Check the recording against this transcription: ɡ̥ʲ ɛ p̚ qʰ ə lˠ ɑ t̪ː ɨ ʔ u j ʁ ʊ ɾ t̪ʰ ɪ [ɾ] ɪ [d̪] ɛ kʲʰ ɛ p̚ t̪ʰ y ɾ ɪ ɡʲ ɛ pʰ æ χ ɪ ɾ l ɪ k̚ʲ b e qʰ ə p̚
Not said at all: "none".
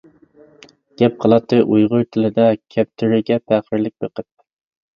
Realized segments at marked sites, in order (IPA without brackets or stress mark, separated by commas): l, d̪